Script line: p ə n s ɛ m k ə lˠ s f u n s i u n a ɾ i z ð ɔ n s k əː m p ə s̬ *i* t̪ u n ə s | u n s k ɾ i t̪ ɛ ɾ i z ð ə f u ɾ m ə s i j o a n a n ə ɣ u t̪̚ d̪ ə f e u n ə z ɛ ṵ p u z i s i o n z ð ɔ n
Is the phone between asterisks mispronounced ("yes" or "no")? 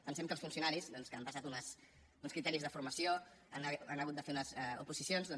yes